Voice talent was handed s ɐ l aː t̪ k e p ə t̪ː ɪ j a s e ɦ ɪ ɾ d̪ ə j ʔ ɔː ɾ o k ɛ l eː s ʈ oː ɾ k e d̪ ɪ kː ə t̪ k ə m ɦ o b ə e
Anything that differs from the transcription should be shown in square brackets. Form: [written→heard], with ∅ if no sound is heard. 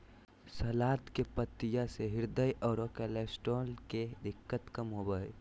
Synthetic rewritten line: s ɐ l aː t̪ k e p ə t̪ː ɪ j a s e ɦ ɪ ɾ d̪ ə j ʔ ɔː ɾ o k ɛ l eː s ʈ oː [ɾ→l] k e d̪ ɪ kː ə t̪ k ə m ɦ o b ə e